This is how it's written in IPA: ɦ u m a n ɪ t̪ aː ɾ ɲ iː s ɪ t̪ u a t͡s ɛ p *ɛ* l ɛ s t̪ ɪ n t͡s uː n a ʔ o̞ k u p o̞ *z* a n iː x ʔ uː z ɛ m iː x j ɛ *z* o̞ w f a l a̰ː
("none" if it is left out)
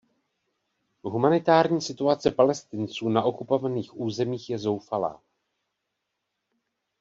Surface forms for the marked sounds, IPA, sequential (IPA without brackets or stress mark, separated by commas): a, v, z